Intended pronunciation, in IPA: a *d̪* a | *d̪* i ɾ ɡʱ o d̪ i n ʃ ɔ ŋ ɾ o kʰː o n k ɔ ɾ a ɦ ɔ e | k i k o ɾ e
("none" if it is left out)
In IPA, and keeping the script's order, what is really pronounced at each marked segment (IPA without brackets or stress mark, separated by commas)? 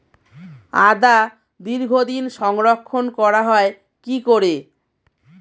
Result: d̪, d̪